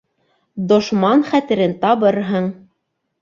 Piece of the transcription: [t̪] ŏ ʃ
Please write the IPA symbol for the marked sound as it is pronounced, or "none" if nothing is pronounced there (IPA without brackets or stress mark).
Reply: d̪